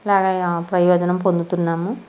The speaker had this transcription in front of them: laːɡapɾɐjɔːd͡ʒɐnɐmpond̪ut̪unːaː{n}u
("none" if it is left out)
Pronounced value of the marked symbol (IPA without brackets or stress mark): m